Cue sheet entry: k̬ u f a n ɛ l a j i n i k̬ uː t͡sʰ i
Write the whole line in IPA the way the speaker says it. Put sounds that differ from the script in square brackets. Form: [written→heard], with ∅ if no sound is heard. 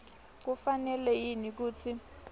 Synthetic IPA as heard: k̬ u f a n ɛ l [a→ɛ] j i n i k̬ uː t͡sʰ i